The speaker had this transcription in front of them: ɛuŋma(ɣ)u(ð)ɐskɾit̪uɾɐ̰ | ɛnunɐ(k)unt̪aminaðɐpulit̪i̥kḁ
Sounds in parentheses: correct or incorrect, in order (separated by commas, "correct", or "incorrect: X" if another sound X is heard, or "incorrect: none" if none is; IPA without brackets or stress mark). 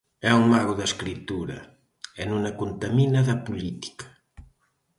correct, correct, correct